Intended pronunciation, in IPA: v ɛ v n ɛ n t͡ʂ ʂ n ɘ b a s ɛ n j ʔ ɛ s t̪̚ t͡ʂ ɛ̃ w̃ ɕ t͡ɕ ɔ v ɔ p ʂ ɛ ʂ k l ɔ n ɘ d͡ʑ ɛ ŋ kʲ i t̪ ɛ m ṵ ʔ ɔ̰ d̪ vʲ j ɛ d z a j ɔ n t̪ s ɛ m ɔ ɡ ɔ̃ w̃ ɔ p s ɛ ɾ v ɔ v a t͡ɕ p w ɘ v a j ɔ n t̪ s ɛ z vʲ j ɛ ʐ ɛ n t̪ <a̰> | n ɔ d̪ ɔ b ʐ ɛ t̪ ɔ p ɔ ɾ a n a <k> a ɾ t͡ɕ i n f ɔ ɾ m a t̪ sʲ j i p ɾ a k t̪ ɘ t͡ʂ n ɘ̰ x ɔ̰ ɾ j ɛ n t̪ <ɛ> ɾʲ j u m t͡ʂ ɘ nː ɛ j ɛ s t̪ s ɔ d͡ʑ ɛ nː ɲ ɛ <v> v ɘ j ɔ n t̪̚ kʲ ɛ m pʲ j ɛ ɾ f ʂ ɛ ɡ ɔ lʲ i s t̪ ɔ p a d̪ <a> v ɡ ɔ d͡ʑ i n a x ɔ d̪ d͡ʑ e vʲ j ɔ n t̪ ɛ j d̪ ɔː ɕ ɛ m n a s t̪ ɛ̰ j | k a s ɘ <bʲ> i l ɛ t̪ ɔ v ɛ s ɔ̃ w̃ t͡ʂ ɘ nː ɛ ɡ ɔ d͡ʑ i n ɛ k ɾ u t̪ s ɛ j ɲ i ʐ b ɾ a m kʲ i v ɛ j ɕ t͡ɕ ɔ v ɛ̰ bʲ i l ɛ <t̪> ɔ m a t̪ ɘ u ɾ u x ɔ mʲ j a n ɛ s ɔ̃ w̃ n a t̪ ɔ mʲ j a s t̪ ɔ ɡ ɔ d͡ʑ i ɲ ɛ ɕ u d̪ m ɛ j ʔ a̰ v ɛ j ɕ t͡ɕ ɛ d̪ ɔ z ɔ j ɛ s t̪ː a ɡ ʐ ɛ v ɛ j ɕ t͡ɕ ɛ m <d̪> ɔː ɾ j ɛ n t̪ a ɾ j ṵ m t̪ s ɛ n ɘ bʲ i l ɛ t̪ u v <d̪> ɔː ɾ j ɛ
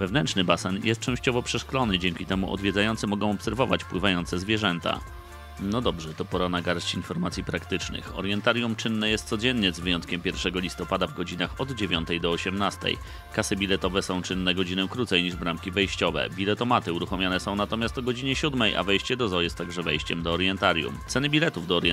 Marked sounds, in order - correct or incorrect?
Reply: correct, incorrect: ɡ, incorrect: a, incorrect: z, correct, correct, correct, correct, correct

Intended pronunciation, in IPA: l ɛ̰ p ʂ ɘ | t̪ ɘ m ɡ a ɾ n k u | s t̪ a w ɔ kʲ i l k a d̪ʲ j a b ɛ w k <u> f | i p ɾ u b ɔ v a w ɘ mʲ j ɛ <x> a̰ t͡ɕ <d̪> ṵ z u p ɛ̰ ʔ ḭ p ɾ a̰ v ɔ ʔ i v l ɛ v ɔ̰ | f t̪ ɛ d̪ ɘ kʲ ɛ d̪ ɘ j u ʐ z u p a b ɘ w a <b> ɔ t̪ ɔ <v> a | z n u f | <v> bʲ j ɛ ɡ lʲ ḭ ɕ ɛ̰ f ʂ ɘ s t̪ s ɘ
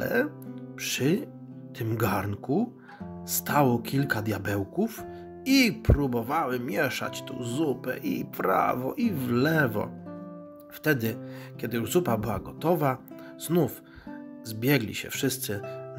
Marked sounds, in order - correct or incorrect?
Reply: correct, incorrect: ʂ, incorrect: t̪, incorrect: ɡ, correct, incorrect: z

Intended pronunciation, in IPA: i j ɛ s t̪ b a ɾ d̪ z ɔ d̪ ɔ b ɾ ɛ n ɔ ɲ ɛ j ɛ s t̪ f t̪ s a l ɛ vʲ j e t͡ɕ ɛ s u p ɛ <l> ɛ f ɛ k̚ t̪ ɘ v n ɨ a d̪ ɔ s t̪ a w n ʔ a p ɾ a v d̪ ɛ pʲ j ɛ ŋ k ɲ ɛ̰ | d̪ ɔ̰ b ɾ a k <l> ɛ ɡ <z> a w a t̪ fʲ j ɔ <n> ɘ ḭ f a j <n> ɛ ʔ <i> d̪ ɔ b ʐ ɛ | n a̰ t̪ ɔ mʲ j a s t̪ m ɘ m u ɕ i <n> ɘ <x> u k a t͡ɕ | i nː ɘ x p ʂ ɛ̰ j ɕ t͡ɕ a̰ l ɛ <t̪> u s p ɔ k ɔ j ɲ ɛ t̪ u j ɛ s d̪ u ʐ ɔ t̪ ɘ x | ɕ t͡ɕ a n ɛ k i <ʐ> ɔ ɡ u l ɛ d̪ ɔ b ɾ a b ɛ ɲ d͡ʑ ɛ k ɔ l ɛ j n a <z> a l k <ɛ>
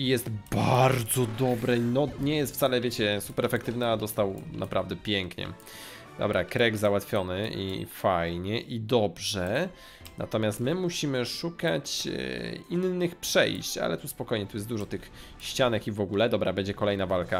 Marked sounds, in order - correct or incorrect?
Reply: incorrect: ɾ, incorrect: ɾ, correct, correct, incorrect: ɲ, correct, incorrect: m, incorrect: ʂ, correct, incorrect: v, incorrect: v, incorrect: a

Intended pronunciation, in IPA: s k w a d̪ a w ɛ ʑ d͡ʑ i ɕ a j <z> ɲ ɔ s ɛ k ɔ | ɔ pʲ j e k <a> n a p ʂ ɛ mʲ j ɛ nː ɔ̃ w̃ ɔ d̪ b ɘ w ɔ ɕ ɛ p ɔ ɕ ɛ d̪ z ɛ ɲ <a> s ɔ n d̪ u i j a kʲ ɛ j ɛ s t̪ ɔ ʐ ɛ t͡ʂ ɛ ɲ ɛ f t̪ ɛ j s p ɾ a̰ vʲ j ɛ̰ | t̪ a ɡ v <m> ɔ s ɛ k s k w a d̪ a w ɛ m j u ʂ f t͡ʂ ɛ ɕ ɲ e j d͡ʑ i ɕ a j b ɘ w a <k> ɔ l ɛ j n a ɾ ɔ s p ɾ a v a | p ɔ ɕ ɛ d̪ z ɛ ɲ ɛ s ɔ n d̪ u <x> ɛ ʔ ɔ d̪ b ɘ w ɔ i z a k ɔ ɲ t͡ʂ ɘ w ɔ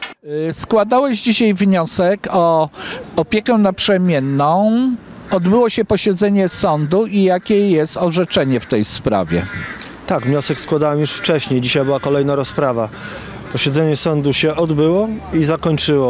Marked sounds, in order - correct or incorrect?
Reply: incorrect: v, incorrect: ɛ, incorrect: ɛ, incorrect: ɲ, correct, incorrect: ɕ

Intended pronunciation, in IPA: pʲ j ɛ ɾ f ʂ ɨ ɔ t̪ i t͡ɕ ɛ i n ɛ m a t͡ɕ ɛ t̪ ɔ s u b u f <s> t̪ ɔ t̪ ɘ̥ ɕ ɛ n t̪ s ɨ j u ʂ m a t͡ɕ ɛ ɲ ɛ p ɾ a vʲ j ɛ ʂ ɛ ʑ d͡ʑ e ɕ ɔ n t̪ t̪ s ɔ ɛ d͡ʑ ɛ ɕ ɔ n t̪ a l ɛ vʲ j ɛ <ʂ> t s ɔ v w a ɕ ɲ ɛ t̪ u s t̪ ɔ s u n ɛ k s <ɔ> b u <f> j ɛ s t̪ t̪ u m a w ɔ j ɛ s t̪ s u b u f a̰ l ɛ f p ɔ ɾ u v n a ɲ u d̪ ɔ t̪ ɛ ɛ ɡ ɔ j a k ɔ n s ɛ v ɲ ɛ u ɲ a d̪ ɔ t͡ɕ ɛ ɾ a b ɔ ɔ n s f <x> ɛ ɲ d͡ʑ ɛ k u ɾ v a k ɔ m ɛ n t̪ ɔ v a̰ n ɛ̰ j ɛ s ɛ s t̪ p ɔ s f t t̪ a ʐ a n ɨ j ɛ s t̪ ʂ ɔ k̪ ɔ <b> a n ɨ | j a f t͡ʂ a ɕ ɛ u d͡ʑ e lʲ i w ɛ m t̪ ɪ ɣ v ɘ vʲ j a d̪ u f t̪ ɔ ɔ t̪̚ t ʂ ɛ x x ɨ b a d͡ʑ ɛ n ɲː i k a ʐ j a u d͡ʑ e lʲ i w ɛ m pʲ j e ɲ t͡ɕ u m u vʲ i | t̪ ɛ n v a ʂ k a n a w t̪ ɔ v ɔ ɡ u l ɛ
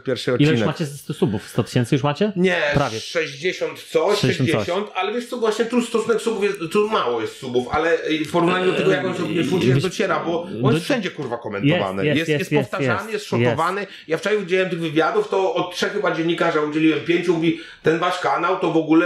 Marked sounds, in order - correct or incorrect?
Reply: correct, correct, incorrect: u, correct, incorrect: ʂ, incorrect: v

